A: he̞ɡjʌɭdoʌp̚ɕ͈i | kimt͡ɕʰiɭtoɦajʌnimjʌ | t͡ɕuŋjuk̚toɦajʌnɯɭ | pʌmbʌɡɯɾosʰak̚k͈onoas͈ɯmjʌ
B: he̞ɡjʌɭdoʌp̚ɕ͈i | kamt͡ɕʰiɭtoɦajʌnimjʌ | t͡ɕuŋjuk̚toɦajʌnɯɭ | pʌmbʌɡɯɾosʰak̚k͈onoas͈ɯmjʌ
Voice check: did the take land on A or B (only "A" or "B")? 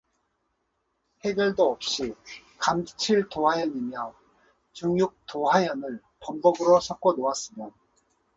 B